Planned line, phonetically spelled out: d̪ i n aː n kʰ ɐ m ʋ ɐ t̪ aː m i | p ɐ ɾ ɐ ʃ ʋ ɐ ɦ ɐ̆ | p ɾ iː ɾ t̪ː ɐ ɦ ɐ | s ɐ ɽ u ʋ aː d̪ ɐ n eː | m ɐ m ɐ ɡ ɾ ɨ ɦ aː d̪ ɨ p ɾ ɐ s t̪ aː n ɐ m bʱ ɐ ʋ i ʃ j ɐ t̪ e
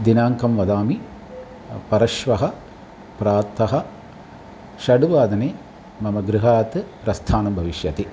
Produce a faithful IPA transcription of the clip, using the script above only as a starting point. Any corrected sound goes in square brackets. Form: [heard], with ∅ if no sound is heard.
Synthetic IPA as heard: d̪ i n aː [ŋ] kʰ ɐ m ʋ ɐ [d̪] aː m i | p ɐ ɾ ɐ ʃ ʋ ɐ ɦ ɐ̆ | p ɾ [aː] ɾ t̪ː ɐ ɦ ɐ | [ʃ] ɐ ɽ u ʋ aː d̪ ɐ n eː | m ɐ m ɐ ɡ ɾ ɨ ɦ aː [t̪] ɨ p ɾ ɐ s [t̪ʰ] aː n ɐ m bʱ ɐ ʋ i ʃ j ɐ t̪ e